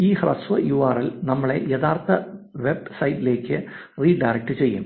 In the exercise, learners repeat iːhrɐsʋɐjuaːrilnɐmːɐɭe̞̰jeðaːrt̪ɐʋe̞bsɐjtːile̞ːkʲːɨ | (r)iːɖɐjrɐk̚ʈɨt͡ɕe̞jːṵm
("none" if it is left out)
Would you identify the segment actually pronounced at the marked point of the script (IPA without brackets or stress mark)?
r